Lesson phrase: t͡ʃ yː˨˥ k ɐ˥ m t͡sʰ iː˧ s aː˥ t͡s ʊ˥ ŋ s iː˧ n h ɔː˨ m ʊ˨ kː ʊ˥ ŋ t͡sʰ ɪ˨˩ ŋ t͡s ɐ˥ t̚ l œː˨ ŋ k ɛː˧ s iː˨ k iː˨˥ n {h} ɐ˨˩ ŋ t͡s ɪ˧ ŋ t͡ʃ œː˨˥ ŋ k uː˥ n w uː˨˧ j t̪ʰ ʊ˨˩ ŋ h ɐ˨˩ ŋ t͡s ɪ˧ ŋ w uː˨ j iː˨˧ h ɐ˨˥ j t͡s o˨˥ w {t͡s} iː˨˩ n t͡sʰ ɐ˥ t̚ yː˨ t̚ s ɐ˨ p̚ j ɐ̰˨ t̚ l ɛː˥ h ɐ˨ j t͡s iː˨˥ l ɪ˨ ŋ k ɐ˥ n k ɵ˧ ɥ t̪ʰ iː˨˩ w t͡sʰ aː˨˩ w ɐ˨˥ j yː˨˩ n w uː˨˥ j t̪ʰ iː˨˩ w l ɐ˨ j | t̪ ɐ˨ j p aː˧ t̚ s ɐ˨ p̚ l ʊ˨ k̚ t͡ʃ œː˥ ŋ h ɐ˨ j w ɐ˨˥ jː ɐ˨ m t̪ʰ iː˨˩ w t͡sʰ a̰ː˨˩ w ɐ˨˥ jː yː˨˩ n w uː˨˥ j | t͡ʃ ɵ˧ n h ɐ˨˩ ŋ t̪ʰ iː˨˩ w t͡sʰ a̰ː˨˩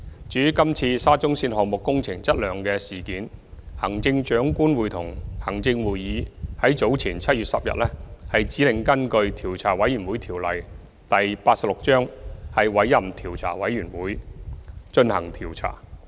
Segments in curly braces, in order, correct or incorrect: correct, incorrect: t͡sʰ

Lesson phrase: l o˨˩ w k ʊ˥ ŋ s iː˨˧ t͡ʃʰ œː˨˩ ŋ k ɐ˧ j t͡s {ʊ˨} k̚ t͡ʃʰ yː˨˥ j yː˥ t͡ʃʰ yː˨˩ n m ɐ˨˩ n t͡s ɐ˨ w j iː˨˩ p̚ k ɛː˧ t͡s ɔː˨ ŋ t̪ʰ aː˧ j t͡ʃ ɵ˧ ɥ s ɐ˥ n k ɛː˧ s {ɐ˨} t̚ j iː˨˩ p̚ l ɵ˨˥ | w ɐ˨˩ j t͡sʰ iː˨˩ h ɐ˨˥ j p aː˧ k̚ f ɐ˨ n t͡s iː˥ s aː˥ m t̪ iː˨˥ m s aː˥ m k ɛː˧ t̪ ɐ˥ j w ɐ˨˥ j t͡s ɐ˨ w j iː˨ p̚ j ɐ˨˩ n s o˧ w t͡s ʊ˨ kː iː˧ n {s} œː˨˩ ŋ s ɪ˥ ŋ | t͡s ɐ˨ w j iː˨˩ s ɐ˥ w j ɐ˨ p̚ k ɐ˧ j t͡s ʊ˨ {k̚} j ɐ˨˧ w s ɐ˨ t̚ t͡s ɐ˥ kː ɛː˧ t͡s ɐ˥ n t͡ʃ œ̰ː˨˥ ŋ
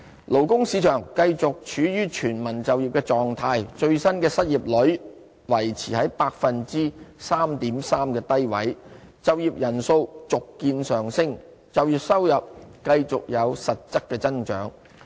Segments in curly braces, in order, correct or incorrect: correct, incorrect: ɐ˥, correct, correct

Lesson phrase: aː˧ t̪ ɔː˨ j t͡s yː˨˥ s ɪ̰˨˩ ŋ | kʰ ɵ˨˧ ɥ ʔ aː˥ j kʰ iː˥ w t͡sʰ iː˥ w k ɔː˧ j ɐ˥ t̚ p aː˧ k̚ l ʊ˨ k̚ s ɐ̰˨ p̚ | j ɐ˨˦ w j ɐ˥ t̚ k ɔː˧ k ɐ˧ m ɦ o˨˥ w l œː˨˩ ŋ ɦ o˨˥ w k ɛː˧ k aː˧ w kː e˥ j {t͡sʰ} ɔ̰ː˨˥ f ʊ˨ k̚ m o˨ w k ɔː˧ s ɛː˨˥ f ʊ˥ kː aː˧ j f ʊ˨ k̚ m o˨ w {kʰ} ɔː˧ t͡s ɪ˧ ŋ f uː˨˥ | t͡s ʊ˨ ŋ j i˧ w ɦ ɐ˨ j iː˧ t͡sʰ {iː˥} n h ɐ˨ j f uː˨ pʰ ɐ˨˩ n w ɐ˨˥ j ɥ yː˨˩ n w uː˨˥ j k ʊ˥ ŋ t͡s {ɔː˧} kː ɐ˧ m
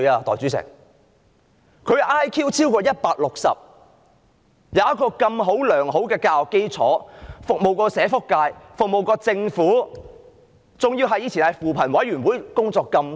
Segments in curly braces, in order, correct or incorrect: correct, incorrect: k, incorrect: iː˨˩, correct

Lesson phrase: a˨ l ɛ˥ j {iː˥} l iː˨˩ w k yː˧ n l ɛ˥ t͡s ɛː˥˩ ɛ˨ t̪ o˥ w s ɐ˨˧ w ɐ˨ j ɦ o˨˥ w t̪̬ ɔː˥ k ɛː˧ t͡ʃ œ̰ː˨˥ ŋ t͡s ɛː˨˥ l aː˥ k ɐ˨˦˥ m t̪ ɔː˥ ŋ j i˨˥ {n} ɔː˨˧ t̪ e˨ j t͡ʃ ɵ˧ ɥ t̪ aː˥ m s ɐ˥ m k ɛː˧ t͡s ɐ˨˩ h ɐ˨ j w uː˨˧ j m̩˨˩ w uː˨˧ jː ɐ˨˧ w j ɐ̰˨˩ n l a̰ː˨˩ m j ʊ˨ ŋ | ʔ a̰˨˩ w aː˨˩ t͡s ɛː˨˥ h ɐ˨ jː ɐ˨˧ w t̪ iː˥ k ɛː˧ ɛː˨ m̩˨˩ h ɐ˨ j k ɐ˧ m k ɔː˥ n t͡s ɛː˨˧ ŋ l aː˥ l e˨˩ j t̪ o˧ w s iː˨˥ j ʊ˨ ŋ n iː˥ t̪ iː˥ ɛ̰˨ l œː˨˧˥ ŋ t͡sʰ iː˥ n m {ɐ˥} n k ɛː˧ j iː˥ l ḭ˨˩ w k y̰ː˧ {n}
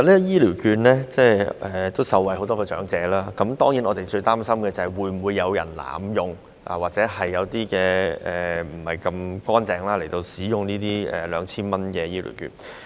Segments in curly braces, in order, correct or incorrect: correct, correct, correct, correct

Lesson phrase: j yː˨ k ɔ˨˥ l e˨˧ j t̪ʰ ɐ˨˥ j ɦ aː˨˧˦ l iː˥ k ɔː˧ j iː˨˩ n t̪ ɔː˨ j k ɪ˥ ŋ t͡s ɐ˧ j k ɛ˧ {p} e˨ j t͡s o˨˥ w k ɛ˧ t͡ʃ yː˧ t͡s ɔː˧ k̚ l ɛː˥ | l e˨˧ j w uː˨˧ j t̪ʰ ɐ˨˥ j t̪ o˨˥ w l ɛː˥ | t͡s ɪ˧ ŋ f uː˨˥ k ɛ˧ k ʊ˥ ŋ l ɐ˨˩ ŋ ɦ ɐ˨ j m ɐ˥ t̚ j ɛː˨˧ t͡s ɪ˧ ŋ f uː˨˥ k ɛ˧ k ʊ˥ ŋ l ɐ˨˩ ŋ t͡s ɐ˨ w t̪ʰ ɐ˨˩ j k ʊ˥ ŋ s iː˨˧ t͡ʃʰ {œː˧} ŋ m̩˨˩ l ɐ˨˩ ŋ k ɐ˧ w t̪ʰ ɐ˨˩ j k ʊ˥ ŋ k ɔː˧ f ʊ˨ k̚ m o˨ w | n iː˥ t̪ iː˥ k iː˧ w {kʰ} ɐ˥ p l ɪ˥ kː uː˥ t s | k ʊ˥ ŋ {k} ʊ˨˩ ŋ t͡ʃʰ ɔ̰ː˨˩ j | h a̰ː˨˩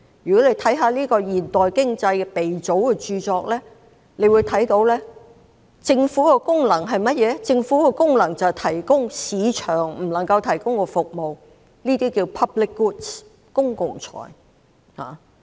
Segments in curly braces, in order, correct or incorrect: correct, incorrect: œː˨˩, incorrect: pʰ, correct

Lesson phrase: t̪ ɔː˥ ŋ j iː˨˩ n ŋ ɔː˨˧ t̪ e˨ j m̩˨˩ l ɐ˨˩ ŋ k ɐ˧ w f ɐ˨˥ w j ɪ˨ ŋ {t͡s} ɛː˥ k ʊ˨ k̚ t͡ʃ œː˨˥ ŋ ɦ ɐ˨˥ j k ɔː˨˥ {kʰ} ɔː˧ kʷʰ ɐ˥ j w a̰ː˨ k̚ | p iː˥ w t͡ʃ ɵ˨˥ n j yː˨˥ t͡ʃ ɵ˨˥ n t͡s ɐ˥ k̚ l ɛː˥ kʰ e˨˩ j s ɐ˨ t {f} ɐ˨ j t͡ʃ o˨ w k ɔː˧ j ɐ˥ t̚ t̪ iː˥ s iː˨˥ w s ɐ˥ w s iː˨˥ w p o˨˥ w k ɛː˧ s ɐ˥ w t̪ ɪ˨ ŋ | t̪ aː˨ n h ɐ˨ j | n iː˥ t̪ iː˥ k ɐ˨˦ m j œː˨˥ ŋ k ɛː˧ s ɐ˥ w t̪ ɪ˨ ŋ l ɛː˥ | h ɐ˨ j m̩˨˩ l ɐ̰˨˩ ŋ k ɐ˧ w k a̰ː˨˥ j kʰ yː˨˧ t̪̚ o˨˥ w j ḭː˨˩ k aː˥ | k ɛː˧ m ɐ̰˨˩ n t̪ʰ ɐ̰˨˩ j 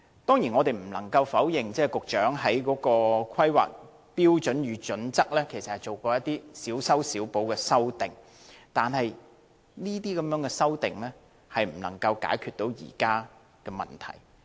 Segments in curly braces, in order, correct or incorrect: correct, incorrect: k, incorrect: h

